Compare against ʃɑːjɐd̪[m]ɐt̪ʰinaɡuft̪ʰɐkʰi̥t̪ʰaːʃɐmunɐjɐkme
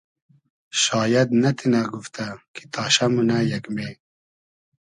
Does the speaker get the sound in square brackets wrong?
yes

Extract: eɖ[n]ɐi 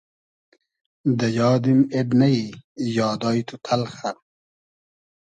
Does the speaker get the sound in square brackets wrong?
no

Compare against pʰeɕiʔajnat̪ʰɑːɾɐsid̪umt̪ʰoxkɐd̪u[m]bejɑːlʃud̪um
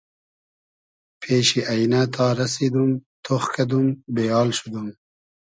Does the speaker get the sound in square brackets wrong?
no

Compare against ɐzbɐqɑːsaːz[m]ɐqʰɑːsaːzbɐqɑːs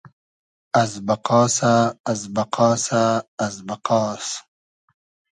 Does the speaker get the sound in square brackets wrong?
yes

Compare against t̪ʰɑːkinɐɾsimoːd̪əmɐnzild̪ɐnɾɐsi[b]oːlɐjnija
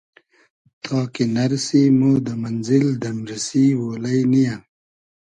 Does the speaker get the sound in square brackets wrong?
yes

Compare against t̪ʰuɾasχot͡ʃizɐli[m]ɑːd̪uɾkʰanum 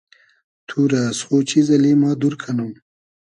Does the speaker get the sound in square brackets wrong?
no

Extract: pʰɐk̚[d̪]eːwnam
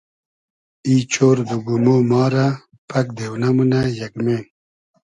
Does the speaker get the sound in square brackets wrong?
no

